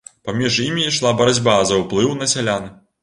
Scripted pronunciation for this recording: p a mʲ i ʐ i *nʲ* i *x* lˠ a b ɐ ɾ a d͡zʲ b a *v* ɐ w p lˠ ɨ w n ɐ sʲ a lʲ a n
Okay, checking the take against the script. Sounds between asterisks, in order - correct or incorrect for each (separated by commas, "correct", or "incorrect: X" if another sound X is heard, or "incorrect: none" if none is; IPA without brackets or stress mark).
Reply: incorrect: mʲ, incorrect: ʂ, incorrect: z